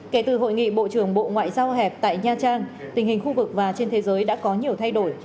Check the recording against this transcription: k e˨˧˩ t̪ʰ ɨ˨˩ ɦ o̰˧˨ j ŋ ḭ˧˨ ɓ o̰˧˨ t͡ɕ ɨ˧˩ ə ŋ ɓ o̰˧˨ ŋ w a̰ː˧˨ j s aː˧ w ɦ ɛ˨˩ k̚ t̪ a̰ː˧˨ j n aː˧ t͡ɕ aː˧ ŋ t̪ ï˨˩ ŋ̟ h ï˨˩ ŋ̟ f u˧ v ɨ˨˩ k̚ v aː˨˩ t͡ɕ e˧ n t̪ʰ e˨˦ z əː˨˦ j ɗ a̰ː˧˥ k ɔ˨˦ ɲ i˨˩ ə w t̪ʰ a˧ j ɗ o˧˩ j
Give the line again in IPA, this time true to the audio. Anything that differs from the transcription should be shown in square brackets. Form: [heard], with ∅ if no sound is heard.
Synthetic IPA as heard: k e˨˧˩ [t̪] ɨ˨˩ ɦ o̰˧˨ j ŋ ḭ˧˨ ɓ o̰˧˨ t͡ɕ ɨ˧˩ ə ŋ ɓ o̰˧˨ ŋ w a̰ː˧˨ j [z] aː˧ w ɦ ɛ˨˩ [p̚] t̪ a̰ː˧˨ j [ɲ] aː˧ t͡ɕ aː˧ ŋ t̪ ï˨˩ ŋ̟ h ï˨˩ ŋ̟ [x] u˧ v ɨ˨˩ k̚ v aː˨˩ t͡ɕ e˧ n t̪ʰ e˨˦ z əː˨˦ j ɗ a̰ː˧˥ k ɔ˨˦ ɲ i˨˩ ə w t̪ʰ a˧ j ɗ o˧˩ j